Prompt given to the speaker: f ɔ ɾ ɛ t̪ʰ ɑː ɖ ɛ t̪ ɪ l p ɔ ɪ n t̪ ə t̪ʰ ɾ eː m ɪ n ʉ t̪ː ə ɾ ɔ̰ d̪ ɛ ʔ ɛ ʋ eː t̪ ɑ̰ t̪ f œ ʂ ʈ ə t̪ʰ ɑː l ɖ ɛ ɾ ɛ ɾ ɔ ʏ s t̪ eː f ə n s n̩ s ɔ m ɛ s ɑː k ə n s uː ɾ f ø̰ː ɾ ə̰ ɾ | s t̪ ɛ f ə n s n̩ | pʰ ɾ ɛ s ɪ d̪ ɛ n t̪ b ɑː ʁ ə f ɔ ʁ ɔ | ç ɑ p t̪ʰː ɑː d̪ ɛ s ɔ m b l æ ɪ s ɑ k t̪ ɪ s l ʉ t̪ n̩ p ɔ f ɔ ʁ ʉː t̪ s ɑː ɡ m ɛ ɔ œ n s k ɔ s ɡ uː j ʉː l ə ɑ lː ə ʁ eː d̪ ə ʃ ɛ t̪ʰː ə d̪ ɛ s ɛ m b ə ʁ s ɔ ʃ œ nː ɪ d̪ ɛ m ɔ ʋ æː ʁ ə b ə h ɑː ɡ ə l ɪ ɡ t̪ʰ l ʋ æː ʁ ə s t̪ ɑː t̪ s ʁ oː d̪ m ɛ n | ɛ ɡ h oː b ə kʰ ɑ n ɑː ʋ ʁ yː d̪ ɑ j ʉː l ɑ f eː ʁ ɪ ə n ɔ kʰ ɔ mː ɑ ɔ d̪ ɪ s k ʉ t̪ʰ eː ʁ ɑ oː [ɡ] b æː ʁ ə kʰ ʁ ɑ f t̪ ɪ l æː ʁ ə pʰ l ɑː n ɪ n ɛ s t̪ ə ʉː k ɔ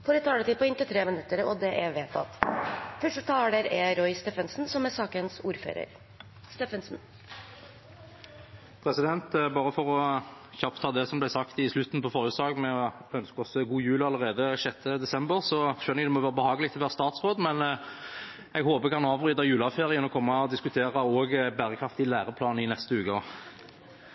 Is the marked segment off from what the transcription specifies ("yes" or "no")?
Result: no